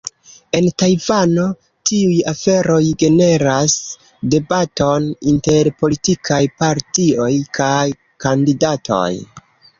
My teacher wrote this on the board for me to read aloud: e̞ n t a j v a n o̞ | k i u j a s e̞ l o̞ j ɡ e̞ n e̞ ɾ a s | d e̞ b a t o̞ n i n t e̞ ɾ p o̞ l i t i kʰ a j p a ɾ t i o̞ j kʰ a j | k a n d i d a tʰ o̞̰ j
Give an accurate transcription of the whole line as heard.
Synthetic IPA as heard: e̞ n t a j v a n o̞ | t i u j a f e̞ ɾ o̞ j ɡ e̞ n e̞ ɾ a s | d e̞ b a t o̞ n i n t e̞ ɾ p o̞ l i t i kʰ a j p a ɾ t i o̞ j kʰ a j | k a n d i d a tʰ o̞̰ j